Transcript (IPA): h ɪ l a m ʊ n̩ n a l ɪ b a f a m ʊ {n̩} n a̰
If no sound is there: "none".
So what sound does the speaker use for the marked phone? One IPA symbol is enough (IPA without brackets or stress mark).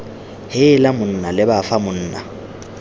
n̩ː